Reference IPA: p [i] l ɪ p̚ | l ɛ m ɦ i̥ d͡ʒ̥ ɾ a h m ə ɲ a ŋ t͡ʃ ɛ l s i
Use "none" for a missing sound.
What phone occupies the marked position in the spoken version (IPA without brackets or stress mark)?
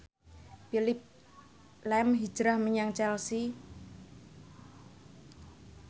i